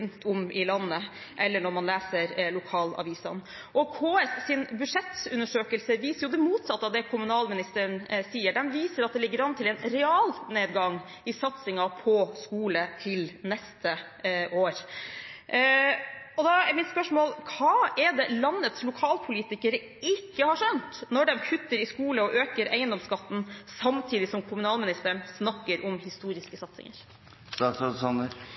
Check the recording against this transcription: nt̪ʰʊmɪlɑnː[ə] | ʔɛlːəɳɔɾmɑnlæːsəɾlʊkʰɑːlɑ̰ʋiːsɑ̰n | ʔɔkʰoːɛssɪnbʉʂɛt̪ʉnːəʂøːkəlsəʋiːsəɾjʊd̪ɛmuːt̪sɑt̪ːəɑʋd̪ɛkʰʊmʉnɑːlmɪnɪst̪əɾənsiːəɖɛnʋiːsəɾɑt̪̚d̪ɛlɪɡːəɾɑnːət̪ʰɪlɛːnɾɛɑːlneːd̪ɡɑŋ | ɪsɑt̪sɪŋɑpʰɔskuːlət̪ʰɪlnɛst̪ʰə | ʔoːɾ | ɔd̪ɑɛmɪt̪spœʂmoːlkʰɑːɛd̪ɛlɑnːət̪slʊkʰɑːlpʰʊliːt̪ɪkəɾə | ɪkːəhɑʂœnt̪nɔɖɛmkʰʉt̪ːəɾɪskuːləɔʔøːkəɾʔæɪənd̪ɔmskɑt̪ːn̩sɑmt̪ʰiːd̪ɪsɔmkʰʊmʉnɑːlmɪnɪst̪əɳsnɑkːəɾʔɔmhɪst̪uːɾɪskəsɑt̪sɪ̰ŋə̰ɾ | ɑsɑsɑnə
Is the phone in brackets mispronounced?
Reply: no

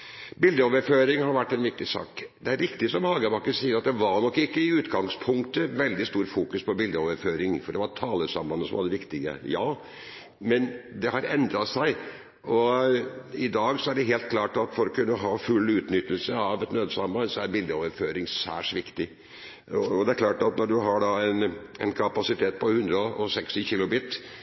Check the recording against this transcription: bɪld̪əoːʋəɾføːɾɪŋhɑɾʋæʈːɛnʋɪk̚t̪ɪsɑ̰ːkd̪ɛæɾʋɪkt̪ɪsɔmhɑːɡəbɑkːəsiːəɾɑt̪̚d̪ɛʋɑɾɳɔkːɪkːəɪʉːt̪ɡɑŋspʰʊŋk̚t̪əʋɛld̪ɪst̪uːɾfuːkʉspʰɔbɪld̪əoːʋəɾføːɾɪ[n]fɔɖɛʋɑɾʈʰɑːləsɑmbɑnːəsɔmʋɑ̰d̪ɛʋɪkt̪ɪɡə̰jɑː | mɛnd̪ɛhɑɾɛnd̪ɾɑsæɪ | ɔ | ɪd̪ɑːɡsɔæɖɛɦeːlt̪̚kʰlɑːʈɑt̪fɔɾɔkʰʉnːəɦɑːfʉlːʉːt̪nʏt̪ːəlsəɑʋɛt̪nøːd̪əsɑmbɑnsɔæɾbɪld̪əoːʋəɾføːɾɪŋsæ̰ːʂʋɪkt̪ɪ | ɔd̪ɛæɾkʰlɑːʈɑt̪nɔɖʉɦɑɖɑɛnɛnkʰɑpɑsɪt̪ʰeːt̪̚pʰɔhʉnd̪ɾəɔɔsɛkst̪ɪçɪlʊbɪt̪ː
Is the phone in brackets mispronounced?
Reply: yes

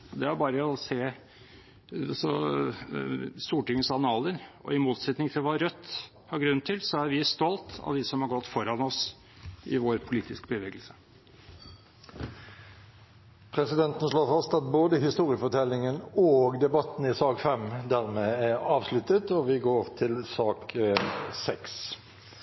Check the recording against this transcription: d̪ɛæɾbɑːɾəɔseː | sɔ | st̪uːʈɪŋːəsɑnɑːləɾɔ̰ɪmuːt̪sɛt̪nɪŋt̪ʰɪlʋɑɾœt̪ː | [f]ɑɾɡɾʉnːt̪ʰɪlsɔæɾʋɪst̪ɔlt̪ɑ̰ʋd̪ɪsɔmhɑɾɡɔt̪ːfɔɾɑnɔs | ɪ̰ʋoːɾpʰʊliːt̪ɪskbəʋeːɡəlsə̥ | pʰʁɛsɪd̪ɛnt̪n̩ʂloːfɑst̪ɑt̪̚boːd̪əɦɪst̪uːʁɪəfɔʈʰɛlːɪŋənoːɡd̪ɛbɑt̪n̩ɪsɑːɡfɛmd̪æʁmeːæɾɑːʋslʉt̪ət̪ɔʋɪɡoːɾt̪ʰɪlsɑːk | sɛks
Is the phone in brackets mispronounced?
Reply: yes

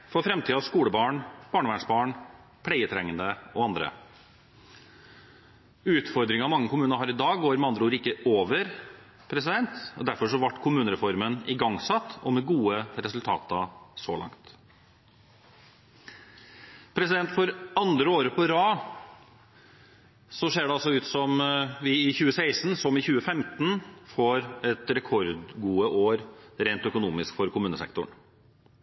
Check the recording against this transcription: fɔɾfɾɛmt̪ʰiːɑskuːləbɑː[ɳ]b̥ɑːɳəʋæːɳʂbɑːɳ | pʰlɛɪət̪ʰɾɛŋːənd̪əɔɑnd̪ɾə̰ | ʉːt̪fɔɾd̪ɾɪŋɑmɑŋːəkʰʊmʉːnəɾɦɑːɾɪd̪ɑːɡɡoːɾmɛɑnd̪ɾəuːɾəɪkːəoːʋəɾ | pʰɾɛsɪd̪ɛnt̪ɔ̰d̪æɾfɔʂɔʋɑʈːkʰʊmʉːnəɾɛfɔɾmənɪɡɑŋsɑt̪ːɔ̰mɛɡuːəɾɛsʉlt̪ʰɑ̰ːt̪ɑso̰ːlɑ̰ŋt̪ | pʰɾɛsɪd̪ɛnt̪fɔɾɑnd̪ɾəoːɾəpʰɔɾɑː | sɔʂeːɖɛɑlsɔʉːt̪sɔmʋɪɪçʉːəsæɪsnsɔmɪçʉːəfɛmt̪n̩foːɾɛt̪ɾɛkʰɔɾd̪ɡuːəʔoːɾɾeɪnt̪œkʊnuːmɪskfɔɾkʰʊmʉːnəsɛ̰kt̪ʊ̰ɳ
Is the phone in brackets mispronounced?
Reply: no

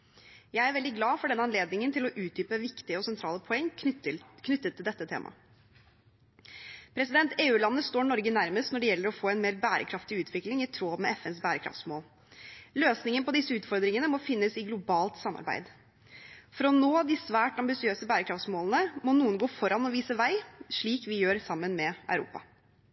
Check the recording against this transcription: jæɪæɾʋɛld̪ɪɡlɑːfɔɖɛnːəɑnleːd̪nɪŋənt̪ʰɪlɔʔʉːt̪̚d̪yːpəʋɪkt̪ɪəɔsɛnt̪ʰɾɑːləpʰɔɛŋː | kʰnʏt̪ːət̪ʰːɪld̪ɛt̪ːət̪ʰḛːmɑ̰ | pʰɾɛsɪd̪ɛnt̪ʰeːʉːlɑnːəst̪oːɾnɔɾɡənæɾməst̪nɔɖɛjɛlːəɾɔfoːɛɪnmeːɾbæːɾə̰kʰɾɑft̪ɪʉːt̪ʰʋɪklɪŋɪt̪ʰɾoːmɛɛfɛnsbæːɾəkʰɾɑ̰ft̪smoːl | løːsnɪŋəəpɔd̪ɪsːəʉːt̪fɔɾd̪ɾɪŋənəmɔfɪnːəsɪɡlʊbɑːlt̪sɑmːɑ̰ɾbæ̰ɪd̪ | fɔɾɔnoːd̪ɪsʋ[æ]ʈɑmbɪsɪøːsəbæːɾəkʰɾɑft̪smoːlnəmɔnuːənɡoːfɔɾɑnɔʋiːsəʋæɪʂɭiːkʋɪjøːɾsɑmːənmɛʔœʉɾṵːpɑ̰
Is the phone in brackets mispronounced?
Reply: yes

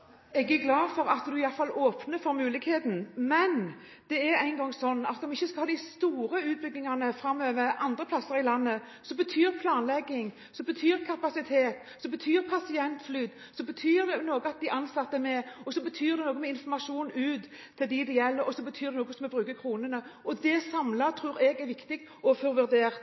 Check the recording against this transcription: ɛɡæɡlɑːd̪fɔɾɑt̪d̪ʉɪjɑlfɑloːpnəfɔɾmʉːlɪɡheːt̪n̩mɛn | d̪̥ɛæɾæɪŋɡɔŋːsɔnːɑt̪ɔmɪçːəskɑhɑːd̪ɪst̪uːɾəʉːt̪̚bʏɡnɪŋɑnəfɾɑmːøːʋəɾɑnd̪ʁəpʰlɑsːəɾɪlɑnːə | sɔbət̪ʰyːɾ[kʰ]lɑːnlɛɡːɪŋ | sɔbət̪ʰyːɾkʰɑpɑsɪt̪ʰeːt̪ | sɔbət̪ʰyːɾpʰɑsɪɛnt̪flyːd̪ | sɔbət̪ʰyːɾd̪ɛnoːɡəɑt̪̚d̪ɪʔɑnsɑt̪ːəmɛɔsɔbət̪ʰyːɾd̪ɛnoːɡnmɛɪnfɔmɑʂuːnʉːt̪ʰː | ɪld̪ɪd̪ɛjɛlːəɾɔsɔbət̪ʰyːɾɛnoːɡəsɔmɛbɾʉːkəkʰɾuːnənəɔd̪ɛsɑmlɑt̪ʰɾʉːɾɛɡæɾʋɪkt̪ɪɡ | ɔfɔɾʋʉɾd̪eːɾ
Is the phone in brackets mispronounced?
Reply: yes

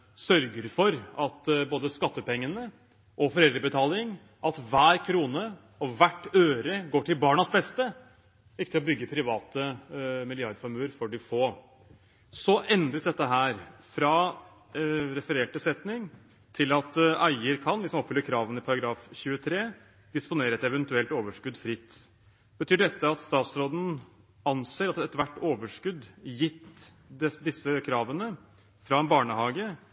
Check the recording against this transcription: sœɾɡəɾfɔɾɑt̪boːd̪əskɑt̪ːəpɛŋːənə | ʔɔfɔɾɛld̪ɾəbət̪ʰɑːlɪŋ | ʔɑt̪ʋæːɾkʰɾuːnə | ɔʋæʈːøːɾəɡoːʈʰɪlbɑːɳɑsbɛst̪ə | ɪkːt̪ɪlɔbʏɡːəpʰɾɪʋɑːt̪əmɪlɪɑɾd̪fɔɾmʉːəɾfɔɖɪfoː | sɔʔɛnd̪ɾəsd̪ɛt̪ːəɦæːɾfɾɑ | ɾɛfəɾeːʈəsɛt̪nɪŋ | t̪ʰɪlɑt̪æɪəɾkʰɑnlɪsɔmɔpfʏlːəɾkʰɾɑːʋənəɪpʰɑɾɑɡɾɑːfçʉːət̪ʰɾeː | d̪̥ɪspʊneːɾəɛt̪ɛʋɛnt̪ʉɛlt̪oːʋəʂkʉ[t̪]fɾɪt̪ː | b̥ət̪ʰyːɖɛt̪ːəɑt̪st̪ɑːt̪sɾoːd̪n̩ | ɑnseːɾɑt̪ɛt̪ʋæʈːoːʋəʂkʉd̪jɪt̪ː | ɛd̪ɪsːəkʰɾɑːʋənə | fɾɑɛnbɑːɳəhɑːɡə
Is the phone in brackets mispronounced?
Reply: yes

